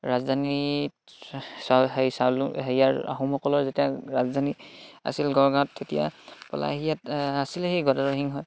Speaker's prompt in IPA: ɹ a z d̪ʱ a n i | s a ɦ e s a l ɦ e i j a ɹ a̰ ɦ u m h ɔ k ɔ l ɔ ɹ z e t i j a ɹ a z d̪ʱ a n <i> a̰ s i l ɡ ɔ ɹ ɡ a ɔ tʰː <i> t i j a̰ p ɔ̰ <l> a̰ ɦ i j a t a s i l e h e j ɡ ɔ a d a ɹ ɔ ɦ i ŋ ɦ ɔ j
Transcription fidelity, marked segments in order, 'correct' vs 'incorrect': correct, incorrect: e, correct

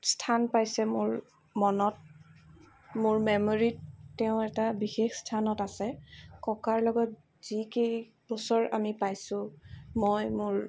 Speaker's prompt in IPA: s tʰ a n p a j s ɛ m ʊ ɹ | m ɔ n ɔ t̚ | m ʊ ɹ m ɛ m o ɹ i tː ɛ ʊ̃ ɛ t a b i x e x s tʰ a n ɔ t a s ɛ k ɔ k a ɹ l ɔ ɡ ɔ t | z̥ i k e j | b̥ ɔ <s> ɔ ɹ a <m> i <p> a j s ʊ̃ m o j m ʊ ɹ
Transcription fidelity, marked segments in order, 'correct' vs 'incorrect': correct, correct, correct

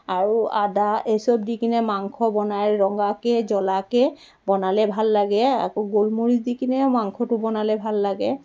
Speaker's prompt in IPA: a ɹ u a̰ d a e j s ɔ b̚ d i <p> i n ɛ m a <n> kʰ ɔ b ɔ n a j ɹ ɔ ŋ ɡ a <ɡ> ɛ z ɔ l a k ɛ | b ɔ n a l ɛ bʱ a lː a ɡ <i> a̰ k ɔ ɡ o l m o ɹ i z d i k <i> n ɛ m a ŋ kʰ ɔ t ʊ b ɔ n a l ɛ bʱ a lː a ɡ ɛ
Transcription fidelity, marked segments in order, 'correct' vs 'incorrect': incorrect: k, incorrect: ŋ, incorrect: k, incorrect: ɛ, correct

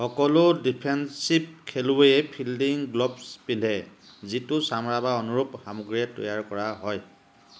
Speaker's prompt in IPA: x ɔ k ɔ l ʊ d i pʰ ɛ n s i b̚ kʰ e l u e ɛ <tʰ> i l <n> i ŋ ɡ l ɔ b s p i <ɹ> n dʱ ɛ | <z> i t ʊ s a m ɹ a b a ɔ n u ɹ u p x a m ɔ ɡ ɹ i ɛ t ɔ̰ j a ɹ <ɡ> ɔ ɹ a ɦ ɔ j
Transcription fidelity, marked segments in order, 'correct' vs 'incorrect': incorrect: pʰ, incorrect: d, incorrect: none, correct, incorrect: k

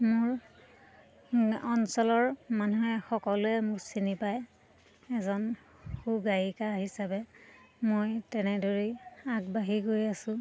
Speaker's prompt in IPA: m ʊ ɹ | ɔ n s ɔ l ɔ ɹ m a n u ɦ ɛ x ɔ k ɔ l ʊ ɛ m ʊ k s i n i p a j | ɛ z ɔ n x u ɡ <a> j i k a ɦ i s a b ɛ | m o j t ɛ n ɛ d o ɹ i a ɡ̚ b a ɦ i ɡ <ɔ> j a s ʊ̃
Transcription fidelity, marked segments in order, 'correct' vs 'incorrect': correct, incorrect: o

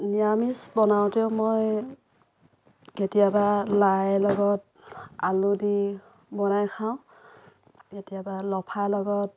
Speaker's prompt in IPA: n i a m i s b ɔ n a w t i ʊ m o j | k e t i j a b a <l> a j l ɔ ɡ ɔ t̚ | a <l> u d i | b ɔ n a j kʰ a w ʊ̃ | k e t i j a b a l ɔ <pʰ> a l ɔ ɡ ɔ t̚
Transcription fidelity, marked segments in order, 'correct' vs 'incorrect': correct, correct, correct

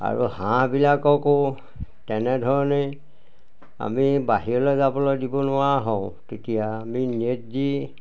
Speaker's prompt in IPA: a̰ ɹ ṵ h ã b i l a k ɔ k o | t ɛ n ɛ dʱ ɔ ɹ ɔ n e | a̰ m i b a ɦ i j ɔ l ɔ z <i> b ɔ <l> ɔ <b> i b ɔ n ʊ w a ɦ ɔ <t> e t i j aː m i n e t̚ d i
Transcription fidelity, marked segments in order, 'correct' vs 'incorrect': incorrect: a, correct, incorrect: d, correct

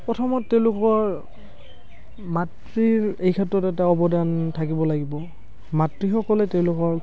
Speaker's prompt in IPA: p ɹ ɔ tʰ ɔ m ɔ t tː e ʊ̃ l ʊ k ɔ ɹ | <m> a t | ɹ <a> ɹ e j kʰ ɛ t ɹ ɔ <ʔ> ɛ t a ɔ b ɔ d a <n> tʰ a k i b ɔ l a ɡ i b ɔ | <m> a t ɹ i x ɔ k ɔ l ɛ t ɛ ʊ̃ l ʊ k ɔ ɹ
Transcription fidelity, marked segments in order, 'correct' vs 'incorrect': correct, incorrect: i, incorrect: t, correct, correct

